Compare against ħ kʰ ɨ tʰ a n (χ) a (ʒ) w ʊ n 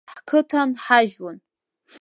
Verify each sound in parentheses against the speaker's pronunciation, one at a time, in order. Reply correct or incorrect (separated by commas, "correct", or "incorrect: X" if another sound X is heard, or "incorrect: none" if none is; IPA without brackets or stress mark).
incorrect: ħ, correct